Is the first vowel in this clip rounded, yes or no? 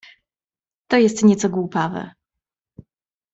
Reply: yes